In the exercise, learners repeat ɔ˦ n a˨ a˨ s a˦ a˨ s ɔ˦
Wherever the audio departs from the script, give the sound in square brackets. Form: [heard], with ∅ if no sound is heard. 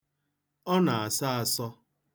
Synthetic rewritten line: ɔ˦ n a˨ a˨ s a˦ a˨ s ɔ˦